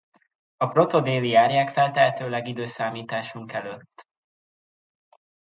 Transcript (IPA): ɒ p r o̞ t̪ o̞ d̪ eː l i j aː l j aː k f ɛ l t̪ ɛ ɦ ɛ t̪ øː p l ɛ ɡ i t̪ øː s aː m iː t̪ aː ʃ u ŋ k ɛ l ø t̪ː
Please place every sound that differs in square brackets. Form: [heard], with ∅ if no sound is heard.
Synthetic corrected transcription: ɒ p r o̞ t̪ o̞ d̪ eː l i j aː [r] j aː k f ɛ l t̪ ɛ ɦ ɛ t̪ øː [∅] l ɛ ɡ i [d̪] øː s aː m iː t̪ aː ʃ u ŋ k ɛ l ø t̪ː